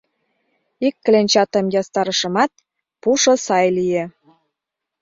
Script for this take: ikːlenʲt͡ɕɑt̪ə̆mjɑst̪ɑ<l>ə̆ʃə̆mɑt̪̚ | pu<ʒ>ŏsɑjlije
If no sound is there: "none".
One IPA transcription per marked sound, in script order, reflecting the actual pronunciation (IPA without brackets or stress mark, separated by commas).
ɾ, ʃ